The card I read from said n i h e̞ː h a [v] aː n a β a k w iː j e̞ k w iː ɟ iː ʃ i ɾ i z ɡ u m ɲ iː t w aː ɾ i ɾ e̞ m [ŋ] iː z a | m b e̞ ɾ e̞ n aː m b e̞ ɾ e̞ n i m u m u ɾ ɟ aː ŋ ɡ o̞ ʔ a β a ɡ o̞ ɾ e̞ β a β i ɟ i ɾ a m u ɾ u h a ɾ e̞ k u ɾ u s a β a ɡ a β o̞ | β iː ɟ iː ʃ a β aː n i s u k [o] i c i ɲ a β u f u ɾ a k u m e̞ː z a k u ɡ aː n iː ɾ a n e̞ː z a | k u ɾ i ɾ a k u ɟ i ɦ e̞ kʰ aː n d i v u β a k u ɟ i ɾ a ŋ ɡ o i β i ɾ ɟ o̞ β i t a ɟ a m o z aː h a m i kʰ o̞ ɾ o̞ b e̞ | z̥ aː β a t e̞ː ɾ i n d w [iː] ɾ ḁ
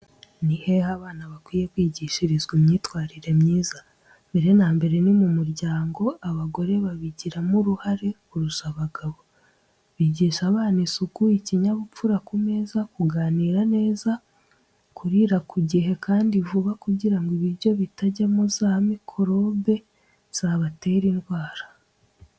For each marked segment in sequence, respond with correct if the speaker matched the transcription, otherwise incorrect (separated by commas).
incorrect, incorrect, incorrect, incorrect